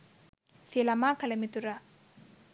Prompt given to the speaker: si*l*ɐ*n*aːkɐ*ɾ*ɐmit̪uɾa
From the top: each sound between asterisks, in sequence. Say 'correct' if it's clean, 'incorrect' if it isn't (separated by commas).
correct, incorrect, incorrect